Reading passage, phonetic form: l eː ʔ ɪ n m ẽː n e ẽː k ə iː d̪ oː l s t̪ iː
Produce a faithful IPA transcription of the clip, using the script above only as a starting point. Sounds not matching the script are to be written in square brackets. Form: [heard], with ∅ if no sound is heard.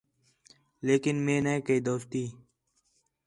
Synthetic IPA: l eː [k] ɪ n m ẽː n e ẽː k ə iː d̪ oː [∅] s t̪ iː